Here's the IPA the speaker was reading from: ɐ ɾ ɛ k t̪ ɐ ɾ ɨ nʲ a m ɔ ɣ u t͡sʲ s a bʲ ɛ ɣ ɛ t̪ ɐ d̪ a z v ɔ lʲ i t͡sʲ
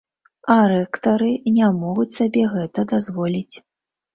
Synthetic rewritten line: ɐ ɾ ɛ k t̪ ɐ ɾ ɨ nʲ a m ɔ ɣ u t͡sʲ s a bʲ ɛ ɣ ɛ t̪ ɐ d̪ a z v ɔ lʲ i t͡sʲ